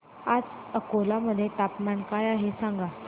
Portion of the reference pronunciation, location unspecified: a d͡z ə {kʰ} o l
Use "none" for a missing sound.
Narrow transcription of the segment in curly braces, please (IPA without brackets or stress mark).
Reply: k